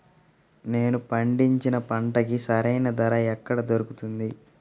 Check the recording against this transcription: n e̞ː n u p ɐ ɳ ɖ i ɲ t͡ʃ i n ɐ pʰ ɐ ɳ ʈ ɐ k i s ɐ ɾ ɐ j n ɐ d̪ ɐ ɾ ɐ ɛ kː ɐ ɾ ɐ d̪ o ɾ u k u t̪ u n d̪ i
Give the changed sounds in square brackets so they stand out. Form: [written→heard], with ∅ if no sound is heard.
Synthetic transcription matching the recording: n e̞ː n u p ɐ ɳ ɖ i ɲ t͡ʃ i n ɐ [pʰ→p] ɐ ɳ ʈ ɐ k i s ɐ ɾ ɐ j n ɐ d̪ ɐ ɾ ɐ ɛ kː ɐ [ɾ→ɽ] ɐ d̪ o ɾ u k u t̪ u n d̪ i